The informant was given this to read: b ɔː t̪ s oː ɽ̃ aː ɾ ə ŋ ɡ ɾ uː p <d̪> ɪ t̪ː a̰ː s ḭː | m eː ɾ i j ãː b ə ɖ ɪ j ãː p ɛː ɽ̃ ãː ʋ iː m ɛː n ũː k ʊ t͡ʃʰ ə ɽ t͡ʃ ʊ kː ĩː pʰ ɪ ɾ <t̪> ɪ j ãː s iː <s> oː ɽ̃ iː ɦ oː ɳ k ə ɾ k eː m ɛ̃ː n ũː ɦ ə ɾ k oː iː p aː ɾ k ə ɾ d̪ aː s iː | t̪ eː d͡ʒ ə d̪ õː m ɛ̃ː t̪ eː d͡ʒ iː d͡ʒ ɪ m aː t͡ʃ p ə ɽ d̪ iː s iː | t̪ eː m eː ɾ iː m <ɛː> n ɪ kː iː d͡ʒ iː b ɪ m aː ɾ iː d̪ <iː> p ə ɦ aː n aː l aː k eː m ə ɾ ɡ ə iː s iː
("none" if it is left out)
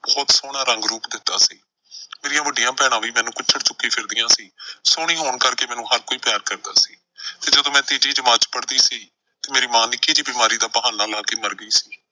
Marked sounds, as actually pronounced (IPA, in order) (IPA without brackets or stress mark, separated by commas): d̪, d̪, s, aː, aː